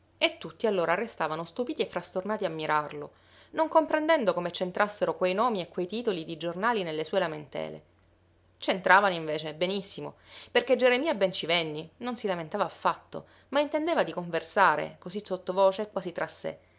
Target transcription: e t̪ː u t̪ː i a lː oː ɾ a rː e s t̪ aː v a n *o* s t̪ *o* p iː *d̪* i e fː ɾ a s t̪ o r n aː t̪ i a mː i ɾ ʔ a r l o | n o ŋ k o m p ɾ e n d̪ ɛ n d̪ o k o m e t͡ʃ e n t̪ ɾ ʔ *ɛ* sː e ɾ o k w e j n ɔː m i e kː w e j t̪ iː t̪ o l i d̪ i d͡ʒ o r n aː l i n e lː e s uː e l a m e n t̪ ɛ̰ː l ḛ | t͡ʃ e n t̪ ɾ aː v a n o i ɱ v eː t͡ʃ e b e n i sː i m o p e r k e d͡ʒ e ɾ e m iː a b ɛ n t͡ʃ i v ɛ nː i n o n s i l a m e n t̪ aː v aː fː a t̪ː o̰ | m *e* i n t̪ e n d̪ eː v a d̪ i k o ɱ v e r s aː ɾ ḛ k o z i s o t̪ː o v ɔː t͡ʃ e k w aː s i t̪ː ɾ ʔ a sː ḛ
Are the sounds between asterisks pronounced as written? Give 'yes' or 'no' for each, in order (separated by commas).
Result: yes, no, no, no, no